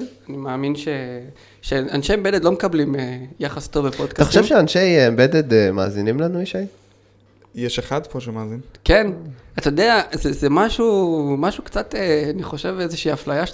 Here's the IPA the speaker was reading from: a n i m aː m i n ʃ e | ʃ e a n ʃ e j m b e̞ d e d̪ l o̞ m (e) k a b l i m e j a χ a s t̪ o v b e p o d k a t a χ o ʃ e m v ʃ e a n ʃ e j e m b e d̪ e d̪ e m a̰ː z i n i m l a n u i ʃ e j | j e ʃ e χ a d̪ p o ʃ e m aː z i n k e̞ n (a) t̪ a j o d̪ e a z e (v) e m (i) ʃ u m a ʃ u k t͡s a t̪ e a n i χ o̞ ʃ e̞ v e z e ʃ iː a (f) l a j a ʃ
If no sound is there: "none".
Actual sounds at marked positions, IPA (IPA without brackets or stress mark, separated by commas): e, a, z, a, f